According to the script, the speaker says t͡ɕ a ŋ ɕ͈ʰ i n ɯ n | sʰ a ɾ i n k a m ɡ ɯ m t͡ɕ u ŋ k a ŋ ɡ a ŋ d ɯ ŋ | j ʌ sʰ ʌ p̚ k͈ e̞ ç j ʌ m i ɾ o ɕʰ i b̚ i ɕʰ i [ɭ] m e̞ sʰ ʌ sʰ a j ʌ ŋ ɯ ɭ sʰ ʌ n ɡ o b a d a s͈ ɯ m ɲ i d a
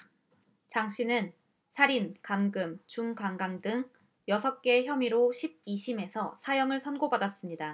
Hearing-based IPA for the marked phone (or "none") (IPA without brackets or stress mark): none